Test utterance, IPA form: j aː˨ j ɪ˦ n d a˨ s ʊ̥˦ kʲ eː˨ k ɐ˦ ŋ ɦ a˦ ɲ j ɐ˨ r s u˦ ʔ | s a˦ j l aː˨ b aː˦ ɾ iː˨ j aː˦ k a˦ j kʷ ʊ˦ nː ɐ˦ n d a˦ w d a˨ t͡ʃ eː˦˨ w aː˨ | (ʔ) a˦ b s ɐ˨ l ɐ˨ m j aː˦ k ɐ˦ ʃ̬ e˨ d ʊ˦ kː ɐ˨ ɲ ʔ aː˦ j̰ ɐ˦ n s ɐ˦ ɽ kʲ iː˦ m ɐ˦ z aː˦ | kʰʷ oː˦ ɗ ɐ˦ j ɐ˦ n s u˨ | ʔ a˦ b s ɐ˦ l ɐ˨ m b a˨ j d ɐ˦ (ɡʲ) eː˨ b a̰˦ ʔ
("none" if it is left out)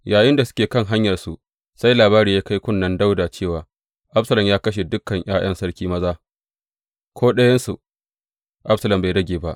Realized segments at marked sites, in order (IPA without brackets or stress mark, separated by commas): ʔ, ɡʲ